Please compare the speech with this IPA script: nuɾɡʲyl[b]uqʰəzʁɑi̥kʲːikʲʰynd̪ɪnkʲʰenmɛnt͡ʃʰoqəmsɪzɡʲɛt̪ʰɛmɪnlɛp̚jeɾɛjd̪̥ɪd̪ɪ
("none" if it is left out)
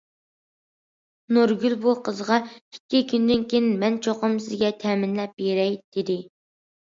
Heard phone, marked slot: b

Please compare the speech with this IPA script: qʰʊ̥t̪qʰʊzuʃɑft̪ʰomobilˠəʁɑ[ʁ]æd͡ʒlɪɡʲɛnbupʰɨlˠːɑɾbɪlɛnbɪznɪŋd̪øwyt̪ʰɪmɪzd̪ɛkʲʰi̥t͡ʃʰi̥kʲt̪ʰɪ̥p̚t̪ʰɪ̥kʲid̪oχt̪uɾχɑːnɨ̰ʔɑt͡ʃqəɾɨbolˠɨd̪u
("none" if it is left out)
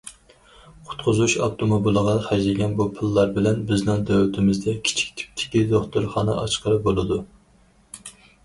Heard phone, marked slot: χ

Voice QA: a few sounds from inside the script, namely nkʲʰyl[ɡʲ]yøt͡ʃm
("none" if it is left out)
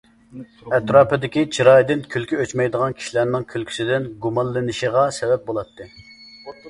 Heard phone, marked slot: kʲ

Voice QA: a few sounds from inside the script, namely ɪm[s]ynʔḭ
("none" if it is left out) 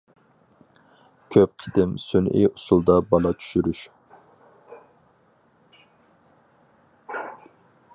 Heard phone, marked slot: s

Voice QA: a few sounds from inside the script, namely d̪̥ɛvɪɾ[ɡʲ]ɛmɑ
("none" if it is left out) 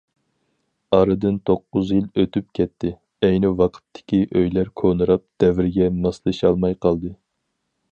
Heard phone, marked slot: ɡʲ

